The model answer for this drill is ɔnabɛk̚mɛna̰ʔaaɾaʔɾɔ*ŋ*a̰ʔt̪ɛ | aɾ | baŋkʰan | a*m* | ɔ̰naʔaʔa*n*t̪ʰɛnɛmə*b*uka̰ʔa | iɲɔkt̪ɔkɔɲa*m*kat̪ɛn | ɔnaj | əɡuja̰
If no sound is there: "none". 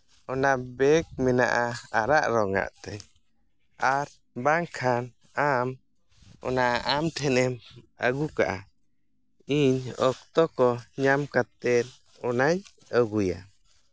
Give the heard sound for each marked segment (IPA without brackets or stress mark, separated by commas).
ŋ, m, m, ɡ, m